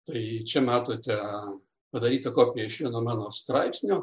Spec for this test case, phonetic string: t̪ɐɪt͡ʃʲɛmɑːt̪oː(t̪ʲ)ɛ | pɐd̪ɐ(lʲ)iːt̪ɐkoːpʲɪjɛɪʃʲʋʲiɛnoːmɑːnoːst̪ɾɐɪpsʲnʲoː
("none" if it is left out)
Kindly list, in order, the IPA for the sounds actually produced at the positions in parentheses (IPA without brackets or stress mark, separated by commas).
t̪ʲ, ɾʲ